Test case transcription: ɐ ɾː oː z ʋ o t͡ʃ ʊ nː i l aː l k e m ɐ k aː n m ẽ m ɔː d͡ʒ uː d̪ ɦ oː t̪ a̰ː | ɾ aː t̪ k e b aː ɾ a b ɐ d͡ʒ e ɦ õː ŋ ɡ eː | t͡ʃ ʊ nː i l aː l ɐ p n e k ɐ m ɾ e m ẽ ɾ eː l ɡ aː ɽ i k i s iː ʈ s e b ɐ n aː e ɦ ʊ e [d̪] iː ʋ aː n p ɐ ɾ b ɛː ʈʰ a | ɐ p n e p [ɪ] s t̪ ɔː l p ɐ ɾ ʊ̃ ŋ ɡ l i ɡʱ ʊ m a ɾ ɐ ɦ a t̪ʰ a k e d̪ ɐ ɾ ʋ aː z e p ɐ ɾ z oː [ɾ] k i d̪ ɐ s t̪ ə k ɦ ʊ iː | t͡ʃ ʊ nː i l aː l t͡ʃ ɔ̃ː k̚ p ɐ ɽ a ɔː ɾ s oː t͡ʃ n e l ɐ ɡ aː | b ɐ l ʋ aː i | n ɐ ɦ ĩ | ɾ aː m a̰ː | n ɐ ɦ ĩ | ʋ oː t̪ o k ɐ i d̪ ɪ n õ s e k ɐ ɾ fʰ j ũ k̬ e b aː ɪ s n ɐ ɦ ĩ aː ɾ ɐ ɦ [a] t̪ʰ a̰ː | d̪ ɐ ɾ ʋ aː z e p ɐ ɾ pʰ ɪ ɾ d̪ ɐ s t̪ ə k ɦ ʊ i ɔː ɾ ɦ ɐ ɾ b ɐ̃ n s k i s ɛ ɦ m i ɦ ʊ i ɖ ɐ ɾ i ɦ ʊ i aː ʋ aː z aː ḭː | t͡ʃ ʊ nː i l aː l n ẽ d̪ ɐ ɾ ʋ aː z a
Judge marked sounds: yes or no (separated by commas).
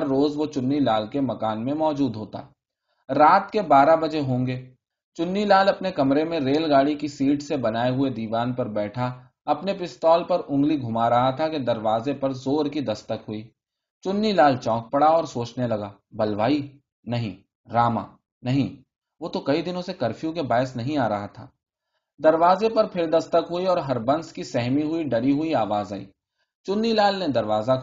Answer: yes, yes, yes, yes